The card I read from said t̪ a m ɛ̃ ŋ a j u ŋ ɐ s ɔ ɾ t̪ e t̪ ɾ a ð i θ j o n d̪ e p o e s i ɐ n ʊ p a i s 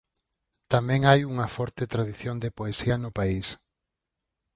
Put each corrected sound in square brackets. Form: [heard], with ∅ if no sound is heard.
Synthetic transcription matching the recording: t̪ a m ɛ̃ ŋ a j u ŋ ɐ [f] ɔ ɾ t̪ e t̪ ɾ a ð i θ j o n d̪ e p o e s i ɐ n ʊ p a i s